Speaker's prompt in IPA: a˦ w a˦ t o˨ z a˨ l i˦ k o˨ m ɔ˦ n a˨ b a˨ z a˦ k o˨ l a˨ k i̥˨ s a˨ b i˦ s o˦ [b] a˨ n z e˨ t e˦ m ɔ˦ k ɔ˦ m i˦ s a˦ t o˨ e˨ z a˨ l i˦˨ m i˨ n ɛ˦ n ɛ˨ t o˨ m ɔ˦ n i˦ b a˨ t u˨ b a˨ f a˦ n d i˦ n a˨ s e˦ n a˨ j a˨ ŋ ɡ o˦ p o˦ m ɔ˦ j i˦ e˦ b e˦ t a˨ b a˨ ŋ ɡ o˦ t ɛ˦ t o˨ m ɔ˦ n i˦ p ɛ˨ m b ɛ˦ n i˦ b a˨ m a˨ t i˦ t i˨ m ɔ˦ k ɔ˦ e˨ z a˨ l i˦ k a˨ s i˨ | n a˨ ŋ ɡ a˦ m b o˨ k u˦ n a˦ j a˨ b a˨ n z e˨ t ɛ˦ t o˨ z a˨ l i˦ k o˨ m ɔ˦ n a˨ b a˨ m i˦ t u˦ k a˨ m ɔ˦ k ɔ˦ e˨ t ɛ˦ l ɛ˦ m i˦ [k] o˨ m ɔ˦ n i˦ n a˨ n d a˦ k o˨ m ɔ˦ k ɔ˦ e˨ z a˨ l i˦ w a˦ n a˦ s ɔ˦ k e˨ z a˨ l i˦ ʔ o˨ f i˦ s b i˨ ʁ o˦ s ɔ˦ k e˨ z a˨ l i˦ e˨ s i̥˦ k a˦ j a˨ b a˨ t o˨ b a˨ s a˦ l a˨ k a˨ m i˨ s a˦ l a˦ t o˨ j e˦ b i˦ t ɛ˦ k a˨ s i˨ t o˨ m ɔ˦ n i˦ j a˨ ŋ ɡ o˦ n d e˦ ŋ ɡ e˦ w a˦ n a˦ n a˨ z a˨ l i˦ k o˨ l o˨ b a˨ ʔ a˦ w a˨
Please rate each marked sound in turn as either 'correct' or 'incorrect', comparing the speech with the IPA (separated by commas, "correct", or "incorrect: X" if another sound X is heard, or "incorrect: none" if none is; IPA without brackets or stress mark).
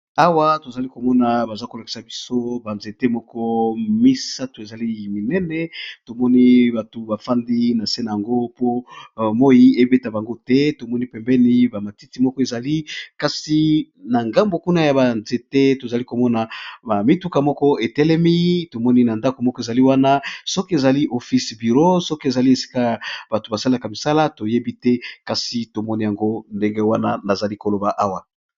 correct, incorrect: t